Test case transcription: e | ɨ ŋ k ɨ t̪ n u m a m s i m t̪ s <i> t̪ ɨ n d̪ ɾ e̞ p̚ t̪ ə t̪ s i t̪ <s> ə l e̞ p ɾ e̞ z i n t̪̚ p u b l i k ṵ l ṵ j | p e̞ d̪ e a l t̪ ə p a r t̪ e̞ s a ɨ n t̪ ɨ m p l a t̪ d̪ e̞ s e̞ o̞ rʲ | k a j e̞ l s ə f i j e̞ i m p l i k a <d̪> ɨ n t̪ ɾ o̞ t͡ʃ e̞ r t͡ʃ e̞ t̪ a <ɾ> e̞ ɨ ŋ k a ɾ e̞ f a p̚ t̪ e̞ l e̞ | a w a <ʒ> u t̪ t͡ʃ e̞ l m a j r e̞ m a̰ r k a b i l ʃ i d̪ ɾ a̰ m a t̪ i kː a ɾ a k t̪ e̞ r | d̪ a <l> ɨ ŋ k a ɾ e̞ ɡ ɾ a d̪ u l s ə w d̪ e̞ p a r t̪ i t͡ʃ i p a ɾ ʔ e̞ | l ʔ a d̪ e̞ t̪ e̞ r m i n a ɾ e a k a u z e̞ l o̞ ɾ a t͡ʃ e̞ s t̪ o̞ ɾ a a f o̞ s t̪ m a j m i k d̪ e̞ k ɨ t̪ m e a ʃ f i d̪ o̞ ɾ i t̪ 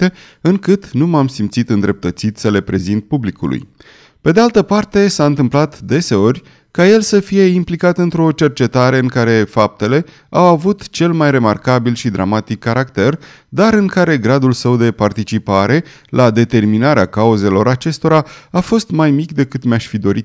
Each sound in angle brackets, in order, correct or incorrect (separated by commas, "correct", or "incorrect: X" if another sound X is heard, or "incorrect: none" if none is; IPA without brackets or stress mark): correct, correct, incorrect: t̪, correct, incorrect: v, incorrect: ɾ